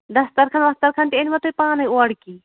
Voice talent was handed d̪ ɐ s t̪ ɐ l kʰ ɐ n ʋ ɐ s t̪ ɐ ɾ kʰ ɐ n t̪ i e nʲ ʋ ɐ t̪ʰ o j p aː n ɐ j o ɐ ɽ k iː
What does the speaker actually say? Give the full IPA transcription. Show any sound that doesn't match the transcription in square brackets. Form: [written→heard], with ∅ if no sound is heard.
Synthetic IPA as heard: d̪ ɐ s t̪ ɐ [l→ɾ] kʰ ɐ n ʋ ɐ s t̪ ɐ ɾ kʰ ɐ n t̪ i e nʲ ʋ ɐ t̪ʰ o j p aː n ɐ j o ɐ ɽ k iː